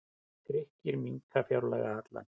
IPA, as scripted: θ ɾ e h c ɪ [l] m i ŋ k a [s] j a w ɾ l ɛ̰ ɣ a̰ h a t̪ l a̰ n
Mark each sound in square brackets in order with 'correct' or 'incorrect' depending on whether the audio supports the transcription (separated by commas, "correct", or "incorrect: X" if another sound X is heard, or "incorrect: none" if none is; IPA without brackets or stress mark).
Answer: incorrect: ɾ, incorrect: f